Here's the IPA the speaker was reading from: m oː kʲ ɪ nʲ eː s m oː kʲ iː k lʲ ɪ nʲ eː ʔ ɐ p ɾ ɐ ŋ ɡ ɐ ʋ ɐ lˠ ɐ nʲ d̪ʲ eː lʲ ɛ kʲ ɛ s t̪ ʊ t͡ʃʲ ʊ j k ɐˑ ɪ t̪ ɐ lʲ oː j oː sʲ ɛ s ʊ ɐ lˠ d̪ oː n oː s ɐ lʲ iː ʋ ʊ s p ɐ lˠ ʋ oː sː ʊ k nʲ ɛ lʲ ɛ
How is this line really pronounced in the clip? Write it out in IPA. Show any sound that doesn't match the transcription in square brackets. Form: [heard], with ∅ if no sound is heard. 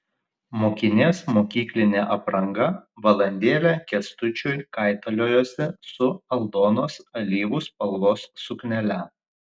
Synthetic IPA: m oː kʲ ɪ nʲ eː s m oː kʲ iː k lʲ ɪ nʲ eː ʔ ɐ p ɾ ɐ ŋ ɡ ɐ ʋ ɐ lˠ ɐ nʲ d̪ʲ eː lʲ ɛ kʲ ɛ s t̪ ʊ t͡ʃʲ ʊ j k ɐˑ ɪ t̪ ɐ lʲ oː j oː sʲ ɛ s ʊ ɐ lˠ d̪ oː n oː s ɐ lʲ iː ʋ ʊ s p ɐ lˠ ʋ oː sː ʊ k nʲ ɛ lʲ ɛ